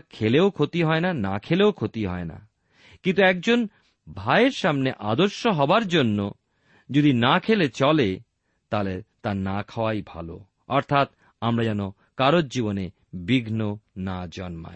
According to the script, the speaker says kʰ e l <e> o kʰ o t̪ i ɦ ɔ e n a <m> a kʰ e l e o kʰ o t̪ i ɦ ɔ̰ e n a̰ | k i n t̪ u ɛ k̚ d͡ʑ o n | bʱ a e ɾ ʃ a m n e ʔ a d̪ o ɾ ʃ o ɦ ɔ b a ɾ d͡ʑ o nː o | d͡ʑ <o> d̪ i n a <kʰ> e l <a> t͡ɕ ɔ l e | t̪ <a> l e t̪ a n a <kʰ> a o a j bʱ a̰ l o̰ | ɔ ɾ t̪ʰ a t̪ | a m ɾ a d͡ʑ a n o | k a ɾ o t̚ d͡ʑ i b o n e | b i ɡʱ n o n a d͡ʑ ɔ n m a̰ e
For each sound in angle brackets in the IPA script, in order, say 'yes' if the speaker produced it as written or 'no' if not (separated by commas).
yes, no, yes, yes, no, yes, yes